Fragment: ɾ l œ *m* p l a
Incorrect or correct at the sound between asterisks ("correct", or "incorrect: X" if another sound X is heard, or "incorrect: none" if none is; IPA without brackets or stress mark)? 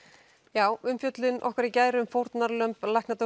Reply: correct